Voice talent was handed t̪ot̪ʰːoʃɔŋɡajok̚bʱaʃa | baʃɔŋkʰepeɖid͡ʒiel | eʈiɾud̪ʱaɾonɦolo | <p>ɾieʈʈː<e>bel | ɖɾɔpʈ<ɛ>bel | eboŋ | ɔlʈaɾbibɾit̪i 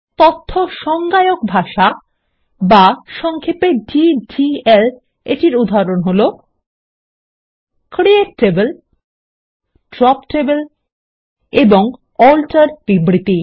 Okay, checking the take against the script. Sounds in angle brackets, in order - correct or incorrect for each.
incorrect, correct, incorrect

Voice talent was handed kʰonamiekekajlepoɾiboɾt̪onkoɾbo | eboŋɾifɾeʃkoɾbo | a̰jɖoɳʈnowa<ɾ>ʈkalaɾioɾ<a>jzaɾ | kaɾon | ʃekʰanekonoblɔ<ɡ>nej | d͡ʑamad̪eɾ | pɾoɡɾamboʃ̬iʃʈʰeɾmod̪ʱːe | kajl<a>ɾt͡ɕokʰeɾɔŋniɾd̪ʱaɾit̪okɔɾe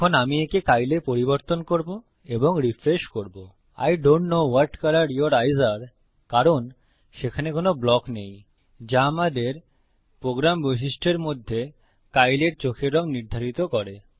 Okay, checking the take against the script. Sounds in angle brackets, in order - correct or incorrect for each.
correct, correct, incorrect, incorrect

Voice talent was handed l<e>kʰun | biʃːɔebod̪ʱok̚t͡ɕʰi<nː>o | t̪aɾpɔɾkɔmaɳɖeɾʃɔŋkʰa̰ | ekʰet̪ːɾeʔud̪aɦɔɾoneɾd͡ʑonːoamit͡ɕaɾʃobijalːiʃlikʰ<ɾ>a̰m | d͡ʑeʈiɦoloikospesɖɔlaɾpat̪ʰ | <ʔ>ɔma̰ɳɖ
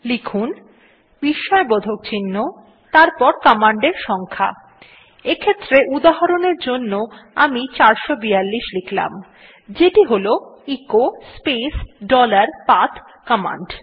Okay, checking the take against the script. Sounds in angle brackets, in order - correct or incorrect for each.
incorrect, correct, incorrect, incorrect

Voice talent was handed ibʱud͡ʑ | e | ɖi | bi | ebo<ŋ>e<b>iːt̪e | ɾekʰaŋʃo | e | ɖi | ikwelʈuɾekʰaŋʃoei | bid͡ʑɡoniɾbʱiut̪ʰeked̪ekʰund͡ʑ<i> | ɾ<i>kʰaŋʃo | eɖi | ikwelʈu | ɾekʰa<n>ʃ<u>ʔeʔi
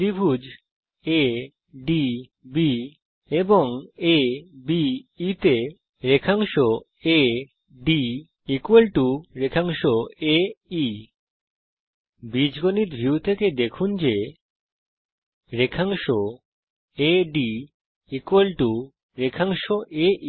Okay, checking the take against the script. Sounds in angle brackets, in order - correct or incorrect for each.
correct, correct, incorrect, incorrect, incorrect, incorrect

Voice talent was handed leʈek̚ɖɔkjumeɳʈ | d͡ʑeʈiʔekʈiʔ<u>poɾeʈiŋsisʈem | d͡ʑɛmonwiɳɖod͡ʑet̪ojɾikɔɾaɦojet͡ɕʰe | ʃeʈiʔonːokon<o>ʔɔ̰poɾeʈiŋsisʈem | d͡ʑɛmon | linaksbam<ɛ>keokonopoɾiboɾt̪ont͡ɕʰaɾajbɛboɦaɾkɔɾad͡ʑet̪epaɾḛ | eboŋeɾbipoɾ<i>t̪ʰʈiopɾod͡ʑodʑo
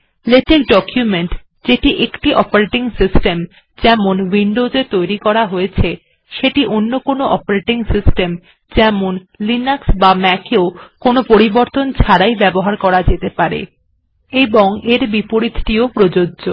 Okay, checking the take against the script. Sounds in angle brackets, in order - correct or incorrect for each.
incorrect, correct, correct, correct

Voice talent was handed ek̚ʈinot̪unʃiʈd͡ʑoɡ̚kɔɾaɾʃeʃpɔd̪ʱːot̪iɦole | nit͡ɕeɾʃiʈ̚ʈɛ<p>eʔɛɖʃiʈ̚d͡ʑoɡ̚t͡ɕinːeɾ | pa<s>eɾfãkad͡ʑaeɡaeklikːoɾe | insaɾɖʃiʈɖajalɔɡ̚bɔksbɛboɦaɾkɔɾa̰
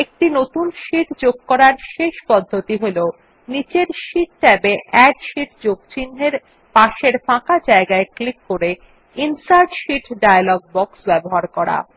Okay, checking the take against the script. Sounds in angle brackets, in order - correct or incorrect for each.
incorrect, incorrect

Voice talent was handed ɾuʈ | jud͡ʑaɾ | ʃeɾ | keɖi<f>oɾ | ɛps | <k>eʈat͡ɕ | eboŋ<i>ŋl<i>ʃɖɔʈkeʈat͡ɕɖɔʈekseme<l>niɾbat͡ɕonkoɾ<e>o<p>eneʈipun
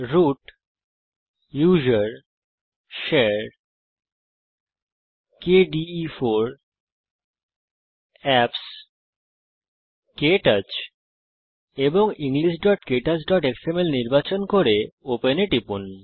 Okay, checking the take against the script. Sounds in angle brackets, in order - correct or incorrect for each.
correct, correct, correct, correct, correct, correct, correct

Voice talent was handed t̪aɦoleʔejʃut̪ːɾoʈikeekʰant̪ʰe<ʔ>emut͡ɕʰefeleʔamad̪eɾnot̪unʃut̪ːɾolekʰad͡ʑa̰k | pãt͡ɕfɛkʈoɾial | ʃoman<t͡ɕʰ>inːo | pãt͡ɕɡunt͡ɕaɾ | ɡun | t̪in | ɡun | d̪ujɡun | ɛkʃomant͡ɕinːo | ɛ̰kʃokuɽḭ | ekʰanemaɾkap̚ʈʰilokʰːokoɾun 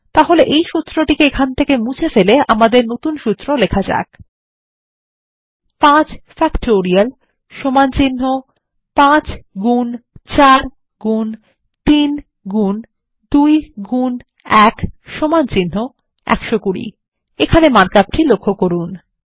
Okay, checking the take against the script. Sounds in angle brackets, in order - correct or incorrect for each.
incorrect, incorrect

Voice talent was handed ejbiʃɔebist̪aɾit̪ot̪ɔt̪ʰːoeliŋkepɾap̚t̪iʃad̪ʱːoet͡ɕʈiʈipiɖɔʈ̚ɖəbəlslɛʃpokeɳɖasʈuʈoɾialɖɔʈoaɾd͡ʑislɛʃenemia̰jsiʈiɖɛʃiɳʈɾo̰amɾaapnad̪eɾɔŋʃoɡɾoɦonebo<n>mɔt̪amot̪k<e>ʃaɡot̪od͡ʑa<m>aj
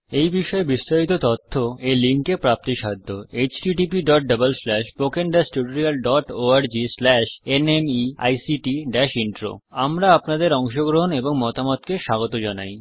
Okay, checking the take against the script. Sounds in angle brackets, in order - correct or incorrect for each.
incorrect, correct, incorrect

